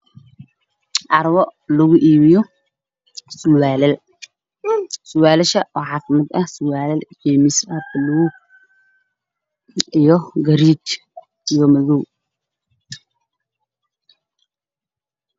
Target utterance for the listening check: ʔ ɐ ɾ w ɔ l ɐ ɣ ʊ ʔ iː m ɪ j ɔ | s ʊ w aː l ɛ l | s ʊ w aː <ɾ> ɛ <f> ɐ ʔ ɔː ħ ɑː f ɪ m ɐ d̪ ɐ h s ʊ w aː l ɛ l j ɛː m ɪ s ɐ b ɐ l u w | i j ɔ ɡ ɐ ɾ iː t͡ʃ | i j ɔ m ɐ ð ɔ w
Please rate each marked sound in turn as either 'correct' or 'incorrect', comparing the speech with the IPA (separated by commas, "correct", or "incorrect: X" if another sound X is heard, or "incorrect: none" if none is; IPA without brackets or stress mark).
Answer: incorrect: l, incorrect: ʃ